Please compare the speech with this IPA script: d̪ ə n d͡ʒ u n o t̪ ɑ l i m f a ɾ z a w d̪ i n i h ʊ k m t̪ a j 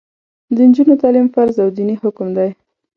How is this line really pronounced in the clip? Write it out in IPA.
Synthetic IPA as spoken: d̪ ə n d͡ʒ u n o t̪ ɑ l i m f a ɾ z a w d̪ i n i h ʊ k m d̪ a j